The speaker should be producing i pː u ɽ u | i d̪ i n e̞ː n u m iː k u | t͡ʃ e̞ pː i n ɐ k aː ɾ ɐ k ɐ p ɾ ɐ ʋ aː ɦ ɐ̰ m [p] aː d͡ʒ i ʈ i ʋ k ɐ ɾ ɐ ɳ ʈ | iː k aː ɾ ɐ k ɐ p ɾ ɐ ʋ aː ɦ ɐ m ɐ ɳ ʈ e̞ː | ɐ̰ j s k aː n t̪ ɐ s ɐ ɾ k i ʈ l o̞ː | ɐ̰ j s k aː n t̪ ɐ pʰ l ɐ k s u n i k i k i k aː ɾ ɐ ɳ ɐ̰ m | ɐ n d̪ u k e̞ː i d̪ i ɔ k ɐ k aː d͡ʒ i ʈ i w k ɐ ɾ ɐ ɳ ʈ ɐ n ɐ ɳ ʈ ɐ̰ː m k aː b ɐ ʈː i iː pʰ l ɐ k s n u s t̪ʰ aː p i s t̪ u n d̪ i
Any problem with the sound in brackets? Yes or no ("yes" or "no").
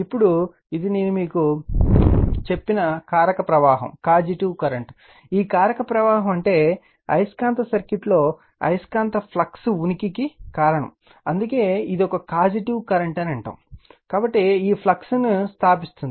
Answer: yes